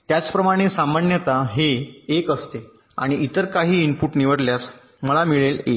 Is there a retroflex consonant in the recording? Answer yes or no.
yes